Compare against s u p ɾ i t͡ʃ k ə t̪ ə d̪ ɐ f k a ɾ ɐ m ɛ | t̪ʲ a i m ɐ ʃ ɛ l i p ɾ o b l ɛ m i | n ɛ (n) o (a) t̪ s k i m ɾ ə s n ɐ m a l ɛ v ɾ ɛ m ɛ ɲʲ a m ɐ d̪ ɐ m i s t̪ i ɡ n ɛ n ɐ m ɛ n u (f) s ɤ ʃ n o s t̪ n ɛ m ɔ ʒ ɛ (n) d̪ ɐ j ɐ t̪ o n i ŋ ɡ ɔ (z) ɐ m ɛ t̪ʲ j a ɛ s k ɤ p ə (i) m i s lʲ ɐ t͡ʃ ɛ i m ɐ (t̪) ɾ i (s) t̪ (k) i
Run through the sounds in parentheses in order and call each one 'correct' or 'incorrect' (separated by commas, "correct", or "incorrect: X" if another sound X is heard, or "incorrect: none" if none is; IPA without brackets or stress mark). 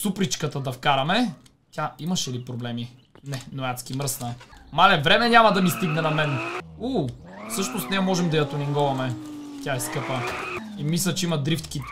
correct, correct, correct, incorrect: m, incorrect: v, correct, incorrect: d̪, incorrect: f, correct